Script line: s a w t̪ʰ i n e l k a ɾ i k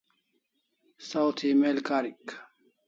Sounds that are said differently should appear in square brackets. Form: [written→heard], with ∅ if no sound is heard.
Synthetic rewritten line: s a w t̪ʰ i [n→m] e l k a ɾ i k

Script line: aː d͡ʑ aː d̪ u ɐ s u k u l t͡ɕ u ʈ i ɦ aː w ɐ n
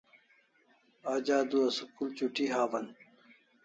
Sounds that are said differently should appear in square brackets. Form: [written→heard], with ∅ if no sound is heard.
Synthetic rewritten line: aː d͡ʑ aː d̪ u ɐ s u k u l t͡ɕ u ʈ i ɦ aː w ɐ n

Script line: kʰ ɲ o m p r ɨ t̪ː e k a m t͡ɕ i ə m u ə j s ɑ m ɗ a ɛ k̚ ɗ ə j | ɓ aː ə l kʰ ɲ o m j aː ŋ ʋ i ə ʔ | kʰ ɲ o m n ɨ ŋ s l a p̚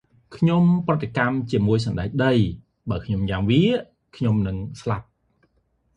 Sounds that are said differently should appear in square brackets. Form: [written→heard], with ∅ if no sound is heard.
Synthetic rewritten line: kʰ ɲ o m p r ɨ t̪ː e k a m t͡ɕ i ə m u ə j s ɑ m ɗ a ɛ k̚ ɗ ə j | ɓ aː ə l kʰ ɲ o m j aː ŋ ʋ i ə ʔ | kʰ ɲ o m n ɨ ŋ s l a p̚

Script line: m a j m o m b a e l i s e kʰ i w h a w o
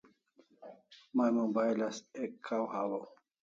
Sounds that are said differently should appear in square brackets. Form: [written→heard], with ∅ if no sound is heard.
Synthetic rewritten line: m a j m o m b a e l [i→a] s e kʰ [i→a] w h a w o

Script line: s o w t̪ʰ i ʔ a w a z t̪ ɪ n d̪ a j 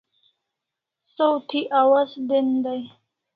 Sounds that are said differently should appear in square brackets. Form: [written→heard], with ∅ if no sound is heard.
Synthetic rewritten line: s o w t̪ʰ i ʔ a w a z [t̪→d̪] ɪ n d̪ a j

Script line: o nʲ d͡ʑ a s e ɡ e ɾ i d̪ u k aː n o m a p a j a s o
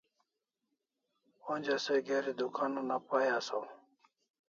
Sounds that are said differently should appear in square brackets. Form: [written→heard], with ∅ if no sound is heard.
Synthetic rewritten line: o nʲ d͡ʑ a s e ɡ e ɾ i d̪ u k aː n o [m→n] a p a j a s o

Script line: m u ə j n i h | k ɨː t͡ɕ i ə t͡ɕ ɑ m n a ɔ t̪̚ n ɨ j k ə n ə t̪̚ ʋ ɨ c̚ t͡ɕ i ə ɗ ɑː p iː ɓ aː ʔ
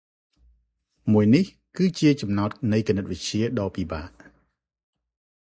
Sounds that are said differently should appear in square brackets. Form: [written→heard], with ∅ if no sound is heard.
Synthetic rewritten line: m u ə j n i h | k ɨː t͡ɕ i ə t͡ɕ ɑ m n a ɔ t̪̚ n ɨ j k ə n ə t̪̚ ʋ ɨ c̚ t͡ɕ i ə ɗ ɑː p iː ɓ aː ʔ

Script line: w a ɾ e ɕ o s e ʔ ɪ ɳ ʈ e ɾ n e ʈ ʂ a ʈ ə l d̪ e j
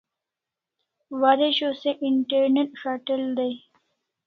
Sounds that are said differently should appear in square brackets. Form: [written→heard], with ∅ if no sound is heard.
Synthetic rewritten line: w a ɾ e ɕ o s e ʔ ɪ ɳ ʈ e ɾ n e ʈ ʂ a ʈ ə l d̪ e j

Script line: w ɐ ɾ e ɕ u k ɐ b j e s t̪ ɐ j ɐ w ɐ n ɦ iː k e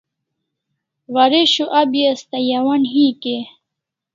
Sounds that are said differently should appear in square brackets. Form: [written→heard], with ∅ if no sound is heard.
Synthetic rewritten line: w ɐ ɾ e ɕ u [k→ʔ] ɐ b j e s t̪ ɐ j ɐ w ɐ n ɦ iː k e

